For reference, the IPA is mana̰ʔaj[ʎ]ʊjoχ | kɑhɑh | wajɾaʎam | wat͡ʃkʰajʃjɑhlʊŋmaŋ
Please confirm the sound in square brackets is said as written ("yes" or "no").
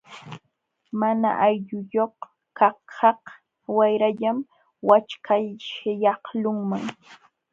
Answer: yes